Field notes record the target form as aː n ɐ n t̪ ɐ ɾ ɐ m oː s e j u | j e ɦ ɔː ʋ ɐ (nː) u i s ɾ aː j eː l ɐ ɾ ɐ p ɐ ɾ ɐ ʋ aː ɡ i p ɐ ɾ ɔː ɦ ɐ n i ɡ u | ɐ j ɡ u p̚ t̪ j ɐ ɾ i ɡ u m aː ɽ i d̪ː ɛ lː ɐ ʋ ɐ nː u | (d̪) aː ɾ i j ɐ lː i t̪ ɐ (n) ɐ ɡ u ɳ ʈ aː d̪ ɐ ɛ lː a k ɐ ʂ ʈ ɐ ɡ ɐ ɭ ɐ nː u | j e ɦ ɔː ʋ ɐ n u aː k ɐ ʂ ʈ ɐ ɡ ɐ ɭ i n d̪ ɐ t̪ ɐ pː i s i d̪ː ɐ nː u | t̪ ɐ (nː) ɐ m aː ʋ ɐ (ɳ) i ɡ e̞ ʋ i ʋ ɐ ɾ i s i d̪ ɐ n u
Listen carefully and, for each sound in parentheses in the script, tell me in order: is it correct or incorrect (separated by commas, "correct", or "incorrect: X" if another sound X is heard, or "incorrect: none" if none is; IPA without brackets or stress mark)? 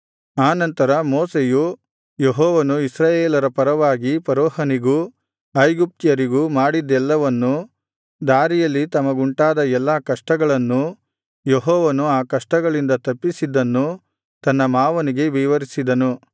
incorrect: n, correct, incorrect: m, correct, incorrect: n